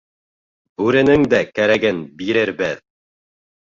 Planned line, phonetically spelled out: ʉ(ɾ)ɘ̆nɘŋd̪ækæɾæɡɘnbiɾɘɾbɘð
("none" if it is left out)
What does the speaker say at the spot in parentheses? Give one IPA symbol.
ɾ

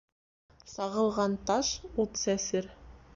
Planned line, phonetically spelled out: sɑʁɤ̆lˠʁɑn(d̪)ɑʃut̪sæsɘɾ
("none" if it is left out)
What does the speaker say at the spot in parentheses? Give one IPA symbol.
t̪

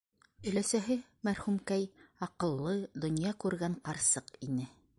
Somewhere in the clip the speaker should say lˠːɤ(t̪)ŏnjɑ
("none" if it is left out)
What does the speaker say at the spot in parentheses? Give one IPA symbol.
d̪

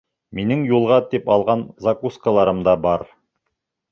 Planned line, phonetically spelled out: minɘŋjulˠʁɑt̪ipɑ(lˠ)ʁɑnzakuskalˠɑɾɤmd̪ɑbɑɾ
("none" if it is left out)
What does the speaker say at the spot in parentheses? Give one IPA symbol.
lˠ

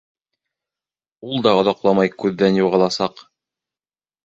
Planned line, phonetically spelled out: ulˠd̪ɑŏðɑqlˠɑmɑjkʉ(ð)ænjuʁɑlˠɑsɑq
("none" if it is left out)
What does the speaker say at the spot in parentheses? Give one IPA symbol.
ðː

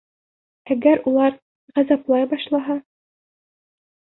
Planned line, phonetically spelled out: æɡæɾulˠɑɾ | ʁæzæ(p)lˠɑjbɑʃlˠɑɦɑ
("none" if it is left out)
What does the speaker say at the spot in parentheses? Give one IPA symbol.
p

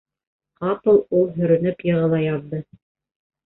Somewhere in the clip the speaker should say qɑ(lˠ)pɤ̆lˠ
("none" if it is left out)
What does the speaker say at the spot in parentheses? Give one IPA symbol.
none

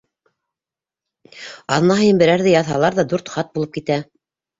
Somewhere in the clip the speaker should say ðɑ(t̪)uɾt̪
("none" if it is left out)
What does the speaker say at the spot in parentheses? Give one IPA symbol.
d̪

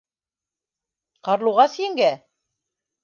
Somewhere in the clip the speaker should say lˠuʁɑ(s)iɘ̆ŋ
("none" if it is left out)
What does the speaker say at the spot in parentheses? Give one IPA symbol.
s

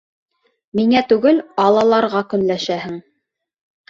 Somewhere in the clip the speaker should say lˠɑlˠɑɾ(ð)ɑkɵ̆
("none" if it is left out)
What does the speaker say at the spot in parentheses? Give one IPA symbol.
ʁ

